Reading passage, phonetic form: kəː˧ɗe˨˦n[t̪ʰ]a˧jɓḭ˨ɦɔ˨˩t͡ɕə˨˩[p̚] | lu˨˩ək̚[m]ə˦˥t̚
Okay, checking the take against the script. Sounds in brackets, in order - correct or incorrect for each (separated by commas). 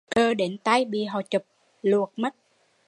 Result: incorrect, correct, correct